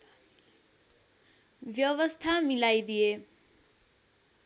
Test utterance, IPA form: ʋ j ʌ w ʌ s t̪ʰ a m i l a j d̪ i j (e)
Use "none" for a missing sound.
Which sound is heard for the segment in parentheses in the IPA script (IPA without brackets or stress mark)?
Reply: e